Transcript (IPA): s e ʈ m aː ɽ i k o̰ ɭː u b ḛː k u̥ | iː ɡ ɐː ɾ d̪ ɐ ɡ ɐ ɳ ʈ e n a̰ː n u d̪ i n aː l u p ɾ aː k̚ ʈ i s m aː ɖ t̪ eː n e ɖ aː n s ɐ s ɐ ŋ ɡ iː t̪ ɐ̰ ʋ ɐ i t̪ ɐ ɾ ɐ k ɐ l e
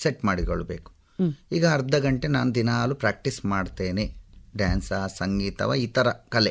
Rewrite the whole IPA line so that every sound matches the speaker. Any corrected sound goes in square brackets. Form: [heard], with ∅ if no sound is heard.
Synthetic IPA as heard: s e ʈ m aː ɽ i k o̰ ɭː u b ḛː k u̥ | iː ɡ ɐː ɾ d̪ ɐ ɡ ɐ ɳ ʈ e n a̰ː n u d̪ i n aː l u p ɾ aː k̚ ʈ i s m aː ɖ t̪ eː n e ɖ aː n s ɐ s ɐ ŋ ɡ iː t̪ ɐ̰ ʋ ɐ i t̪ ɐ ɾ ɐ k ɐ l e